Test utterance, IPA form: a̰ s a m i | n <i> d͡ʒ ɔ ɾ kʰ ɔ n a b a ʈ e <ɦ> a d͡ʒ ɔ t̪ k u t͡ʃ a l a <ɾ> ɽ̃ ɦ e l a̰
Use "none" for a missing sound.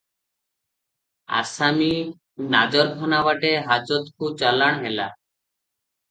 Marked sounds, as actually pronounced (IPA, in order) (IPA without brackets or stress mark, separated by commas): a, ɦ, none